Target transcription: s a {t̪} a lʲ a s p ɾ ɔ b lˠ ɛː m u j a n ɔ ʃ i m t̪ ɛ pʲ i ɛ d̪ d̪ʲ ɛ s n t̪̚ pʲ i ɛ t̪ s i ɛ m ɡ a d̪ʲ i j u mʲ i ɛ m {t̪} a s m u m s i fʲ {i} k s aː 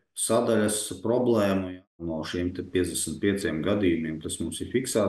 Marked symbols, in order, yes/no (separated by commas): no, yes, yes